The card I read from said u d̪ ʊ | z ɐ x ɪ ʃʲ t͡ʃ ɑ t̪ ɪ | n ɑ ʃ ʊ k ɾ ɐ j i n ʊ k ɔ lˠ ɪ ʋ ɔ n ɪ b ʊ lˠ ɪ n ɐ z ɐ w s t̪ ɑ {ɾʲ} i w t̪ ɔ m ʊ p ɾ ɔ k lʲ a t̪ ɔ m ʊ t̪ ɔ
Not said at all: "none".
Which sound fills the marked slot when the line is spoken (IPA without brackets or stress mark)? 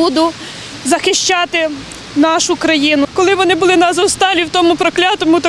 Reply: lʲ